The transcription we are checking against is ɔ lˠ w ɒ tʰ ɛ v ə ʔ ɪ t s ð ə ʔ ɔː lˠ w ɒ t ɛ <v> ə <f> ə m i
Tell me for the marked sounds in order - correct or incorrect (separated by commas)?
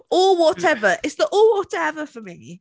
correct, correct